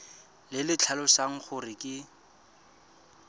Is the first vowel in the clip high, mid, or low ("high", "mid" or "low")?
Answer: high